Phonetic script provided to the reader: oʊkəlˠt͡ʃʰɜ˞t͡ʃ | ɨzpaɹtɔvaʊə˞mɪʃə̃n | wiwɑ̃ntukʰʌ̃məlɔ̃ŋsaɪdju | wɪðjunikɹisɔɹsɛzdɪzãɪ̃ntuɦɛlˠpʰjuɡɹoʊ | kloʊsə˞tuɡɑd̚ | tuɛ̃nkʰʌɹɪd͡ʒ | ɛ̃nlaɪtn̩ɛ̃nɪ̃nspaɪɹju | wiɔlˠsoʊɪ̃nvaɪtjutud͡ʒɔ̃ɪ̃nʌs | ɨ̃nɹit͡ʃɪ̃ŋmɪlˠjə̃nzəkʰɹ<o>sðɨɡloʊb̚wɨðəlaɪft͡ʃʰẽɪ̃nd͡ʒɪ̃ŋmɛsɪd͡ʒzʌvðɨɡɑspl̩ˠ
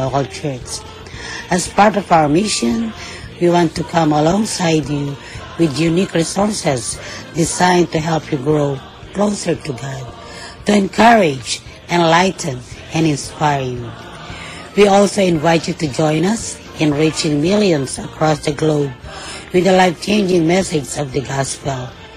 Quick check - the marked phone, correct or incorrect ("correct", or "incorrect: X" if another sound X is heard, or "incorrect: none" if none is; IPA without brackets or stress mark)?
incorrect: ɔ